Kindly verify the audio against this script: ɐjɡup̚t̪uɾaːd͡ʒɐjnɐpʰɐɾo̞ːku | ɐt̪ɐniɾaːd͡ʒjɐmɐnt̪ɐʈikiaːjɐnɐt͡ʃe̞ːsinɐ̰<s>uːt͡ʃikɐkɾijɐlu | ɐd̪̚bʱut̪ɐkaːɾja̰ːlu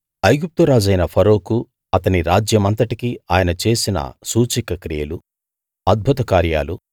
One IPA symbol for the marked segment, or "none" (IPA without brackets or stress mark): s